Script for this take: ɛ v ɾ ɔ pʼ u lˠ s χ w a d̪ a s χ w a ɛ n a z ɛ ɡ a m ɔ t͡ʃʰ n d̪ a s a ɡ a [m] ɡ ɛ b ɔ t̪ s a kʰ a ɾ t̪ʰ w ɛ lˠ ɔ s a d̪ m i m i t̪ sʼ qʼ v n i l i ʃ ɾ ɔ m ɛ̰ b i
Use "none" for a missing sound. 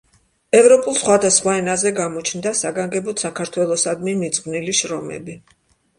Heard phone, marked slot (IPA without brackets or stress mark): ŋ